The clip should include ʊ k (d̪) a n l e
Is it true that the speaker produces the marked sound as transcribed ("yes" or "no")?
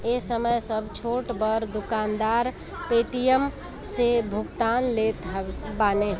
no